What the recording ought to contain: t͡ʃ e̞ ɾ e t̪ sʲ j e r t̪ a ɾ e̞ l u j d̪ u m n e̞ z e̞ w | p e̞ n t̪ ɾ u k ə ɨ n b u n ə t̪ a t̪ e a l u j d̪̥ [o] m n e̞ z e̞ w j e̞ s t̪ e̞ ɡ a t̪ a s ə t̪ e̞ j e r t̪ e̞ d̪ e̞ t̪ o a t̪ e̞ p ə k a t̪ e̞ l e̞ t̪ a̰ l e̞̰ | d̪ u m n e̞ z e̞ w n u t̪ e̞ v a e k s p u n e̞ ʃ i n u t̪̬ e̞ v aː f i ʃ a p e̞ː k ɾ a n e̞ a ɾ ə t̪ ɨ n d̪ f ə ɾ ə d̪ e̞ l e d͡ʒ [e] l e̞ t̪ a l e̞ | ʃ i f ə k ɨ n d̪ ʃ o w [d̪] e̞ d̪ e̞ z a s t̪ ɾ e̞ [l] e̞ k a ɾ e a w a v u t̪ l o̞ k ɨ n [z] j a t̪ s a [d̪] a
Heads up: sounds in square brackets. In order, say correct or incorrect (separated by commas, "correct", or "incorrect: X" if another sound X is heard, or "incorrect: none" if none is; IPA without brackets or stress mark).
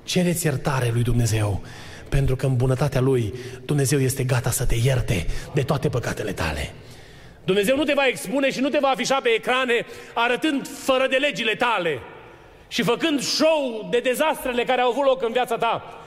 incorrect: u, incorrect: i, correct, correct, incorrect: v, incorrect: t̪